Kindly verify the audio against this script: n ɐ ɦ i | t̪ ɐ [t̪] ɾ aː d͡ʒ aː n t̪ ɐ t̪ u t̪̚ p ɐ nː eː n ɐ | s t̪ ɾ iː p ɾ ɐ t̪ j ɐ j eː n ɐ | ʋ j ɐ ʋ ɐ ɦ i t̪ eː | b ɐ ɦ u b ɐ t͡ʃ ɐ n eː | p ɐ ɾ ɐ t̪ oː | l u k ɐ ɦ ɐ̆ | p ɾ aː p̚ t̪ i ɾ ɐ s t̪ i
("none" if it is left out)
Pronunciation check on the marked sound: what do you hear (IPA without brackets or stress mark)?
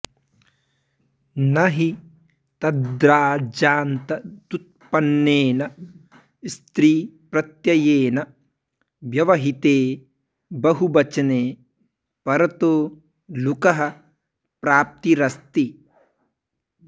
d̪